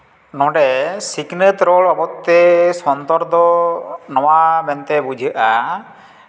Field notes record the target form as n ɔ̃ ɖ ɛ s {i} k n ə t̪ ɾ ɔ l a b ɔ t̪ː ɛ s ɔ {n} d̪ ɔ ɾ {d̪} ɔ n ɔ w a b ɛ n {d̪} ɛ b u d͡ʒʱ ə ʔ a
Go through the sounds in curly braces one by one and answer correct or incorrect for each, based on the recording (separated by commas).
correct, correct, correct, incorrect